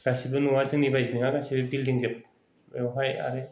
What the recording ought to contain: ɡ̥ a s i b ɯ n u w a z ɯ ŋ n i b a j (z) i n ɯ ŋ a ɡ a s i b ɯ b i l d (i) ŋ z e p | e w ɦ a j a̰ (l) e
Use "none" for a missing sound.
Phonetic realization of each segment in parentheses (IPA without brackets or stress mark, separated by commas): z, i, ɾ